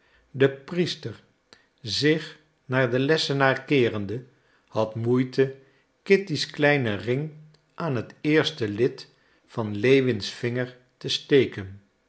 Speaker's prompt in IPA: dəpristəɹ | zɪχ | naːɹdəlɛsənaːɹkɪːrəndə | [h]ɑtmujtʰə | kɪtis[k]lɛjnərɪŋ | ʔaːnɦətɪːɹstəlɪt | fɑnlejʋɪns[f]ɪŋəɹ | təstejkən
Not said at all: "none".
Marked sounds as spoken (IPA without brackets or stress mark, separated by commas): h, k, f